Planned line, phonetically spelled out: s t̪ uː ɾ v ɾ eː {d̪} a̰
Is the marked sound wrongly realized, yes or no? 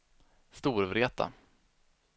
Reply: yes